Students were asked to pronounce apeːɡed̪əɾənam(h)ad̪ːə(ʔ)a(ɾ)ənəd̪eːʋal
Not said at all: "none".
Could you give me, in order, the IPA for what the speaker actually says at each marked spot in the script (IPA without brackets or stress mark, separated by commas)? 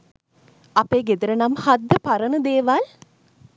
h, p, ɾ